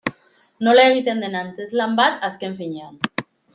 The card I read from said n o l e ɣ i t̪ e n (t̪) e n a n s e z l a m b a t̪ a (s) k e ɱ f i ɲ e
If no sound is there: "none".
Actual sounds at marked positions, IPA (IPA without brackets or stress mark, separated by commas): d̪, s